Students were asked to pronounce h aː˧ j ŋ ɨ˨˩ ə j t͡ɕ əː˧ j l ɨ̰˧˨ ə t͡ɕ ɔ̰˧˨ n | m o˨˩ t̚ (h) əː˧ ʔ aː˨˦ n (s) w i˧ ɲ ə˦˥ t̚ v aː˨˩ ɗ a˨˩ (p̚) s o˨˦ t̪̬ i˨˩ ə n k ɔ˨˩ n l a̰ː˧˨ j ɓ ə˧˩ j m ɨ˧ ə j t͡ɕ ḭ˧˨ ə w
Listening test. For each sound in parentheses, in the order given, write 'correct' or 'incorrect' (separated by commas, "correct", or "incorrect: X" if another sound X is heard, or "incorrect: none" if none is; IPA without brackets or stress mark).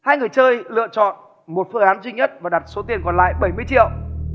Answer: incorrect: f, incorrect: z, incorrect: t̚